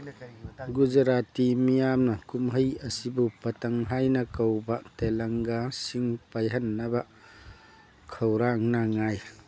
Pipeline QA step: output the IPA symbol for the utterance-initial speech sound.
ɡ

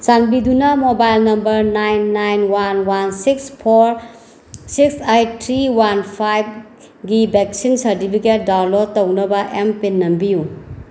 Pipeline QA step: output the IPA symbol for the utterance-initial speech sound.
s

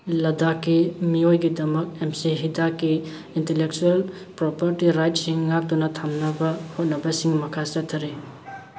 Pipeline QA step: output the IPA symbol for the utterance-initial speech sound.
l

